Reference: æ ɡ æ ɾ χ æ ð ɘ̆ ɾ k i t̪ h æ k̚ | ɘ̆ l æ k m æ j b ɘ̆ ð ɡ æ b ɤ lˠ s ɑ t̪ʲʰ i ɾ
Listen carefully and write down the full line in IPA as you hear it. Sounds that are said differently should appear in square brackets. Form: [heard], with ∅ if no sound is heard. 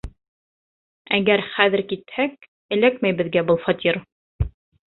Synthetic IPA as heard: æ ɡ æ ɾ χ æ ð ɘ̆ ɾ k i t̪ h æ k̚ | ɘ̆ l æ k m æ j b ɘ̆ ð ɡ æ b ɤ lˠ [f] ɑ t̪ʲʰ i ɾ